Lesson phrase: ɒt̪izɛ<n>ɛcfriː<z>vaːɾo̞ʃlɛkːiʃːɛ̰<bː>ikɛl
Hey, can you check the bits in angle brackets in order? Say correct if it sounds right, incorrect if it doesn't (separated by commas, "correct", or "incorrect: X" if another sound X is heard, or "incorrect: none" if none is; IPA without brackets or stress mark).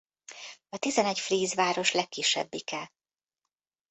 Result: correct, correct, correct